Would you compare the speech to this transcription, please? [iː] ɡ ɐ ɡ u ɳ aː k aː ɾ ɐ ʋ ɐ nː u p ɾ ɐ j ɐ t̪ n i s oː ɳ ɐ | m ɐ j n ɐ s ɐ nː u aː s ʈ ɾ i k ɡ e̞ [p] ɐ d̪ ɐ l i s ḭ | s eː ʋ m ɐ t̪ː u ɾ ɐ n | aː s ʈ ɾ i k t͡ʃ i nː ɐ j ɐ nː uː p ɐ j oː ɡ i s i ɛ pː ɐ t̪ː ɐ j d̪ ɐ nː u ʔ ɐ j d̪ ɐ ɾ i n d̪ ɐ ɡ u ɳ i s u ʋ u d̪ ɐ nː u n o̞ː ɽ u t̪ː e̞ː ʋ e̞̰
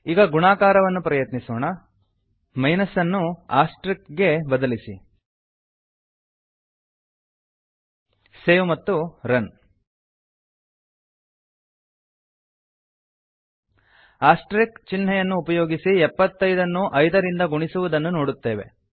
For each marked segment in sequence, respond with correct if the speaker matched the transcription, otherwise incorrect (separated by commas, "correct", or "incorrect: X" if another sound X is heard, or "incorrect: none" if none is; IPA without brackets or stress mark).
correct, incorrect: b